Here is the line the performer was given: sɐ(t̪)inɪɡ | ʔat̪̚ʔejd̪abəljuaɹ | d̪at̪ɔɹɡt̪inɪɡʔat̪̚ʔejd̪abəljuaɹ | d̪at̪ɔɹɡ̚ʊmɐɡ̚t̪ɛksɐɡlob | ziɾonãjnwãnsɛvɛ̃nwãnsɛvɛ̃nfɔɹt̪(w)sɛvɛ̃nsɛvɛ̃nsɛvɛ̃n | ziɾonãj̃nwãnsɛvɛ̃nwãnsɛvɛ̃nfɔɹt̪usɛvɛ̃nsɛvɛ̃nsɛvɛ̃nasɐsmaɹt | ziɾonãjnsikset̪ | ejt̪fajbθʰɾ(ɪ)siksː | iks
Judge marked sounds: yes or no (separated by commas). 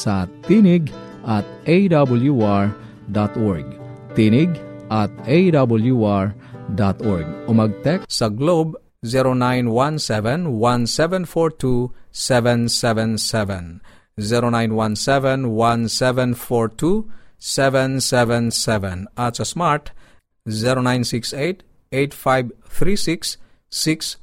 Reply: yes, no, no